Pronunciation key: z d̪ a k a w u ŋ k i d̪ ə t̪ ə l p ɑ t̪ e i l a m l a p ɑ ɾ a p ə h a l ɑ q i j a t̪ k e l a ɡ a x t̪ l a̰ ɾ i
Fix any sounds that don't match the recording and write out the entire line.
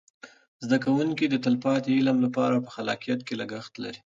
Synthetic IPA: z d̪ a k a w u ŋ k i d̪ ə t̪ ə l p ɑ t̪ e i l a m l a p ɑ ɾ a p ə x a l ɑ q i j a t̪ k e l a ɡ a x t̪ l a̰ ɾ i